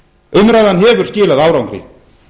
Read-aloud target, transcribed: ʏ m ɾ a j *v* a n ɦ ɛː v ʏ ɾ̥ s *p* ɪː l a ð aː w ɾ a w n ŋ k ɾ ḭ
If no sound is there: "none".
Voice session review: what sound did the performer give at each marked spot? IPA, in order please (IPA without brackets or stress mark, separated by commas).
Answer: ð, c